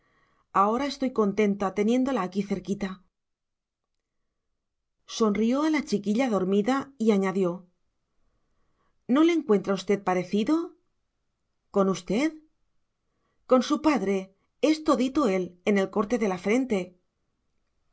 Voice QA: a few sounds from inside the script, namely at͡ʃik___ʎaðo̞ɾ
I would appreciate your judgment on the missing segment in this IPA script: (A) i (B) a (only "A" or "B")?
A